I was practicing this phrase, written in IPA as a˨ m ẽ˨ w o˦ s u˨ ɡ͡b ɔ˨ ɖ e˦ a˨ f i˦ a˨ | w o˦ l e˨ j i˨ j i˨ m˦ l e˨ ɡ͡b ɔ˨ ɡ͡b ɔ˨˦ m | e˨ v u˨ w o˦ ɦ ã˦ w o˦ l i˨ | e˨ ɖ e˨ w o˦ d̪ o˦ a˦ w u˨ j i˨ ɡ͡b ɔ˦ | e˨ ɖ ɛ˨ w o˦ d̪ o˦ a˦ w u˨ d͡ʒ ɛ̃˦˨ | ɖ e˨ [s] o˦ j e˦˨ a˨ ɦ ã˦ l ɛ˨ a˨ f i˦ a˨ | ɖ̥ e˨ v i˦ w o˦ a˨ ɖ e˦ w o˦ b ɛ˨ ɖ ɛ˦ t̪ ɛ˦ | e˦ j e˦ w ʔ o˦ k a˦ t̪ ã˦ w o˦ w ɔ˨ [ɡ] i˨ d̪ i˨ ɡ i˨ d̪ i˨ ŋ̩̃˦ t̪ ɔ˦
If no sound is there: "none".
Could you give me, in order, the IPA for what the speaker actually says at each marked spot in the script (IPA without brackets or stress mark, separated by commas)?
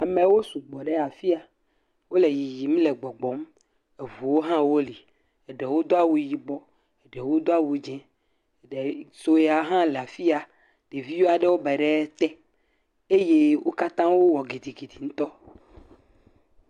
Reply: s, ɡ